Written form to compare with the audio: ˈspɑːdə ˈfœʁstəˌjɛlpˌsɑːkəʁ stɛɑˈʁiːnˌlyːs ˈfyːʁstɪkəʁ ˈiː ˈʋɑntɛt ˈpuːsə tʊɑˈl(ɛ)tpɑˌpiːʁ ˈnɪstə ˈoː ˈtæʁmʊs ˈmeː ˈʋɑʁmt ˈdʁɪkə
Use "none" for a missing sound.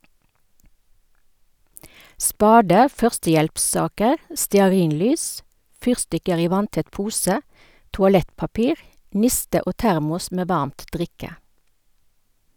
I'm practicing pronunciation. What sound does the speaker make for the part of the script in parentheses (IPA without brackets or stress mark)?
ɛ